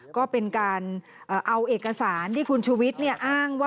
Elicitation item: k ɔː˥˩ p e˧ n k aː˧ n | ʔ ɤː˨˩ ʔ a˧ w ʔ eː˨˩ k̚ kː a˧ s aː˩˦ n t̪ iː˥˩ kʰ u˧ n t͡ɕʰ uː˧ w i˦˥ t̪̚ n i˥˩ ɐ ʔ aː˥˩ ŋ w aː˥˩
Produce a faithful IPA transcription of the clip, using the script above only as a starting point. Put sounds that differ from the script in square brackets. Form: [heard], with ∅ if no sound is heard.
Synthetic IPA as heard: k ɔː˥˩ p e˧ n k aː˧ n | ʔ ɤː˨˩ ʔ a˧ w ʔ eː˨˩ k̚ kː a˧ s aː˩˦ n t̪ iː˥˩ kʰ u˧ n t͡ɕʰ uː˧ w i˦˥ t̪̚ n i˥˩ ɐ ʔ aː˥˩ ŋ w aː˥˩